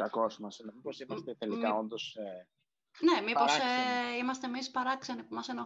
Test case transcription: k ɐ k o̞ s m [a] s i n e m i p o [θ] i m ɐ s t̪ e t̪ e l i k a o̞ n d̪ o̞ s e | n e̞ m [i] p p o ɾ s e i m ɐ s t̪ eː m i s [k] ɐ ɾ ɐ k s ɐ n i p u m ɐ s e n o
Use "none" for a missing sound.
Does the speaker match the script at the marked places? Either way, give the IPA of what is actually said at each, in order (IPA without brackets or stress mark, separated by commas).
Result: ɐ, s, i, p